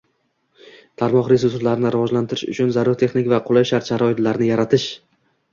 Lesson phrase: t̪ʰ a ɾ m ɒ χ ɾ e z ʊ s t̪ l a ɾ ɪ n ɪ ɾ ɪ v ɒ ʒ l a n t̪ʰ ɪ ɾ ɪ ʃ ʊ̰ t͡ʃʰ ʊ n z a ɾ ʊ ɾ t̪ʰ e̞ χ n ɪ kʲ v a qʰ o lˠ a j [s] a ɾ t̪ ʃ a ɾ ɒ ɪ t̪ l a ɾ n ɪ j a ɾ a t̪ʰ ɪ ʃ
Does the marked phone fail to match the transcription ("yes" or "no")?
yes